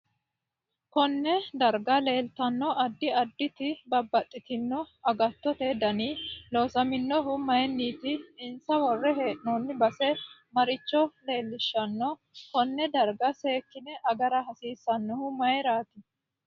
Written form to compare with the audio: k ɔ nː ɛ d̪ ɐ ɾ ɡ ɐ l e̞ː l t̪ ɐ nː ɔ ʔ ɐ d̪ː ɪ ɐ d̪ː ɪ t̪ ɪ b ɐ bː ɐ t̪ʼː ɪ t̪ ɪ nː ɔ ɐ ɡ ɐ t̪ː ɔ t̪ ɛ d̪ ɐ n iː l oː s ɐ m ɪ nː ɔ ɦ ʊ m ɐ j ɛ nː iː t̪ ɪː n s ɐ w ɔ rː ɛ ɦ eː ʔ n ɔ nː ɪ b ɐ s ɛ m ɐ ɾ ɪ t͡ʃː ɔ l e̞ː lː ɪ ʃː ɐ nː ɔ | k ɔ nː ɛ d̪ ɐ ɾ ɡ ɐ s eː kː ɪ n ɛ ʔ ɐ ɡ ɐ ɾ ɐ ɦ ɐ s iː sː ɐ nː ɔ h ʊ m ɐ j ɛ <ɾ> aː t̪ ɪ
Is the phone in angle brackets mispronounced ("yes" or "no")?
no